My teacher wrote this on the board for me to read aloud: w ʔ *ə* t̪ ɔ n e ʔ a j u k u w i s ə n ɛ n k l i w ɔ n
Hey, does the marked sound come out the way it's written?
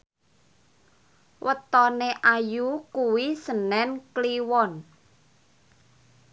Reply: yes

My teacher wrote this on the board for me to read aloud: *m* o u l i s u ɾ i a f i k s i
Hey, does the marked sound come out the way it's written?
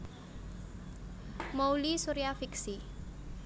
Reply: yes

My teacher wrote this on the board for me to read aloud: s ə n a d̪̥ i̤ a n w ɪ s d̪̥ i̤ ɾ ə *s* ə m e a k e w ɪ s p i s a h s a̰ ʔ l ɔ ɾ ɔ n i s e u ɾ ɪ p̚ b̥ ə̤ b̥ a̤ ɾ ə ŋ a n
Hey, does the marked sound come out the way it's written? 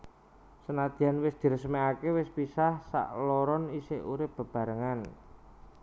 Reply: yes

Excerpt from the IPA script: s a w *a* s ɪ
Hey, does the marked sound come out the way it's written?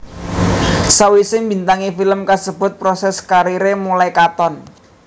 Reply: no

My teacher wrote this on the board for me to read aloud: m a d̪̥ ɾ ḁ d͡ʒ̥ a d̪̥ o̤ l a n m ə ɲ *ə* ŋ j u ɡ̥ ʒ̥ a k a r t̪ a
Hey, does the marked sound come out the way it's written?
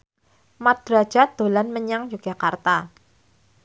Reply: no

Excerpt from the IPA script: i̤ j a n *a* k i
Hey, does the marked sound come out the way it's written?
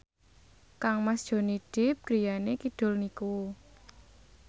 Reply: no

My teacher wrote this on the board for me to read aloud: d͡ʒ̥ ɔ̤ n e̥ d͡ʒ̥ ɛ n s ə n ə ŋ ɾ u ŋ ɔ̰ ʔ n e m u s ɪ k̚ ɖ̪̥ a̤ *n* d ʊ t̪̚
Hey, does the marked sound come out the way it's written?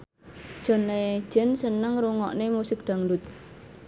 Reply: no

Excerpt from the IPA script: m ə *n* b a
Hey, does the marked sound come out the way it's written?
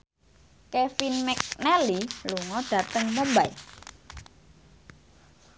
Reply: no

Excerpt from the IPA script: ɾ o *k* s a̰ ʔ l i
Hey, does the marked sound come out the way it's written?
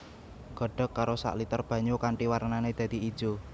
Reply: no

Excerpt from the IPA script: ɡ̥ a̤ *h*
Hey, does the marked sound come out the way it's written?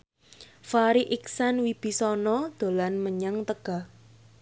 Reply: yes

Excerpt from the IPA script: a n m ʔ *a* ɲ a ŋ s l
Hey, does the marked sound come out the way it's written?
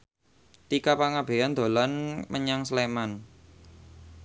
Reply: no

